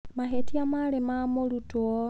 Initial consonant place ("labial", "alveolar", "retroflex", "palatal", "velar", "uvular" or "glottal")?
labial